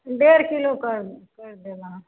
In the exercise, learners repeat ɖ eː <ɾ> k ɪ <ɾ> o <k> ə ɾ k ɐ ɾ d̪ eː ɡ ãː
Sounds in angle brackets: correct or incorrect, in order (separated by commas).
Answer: correct, incorrect, correct